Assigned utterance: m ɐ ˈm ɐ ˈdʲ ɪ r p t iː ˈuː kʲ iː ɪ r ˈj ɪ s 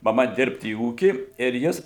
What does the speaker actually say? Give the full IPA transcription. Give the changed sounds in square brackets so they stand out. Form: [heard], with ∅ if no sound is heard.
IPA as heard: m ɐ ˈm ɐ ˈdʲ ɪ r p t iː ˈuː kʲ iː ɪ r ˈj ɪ s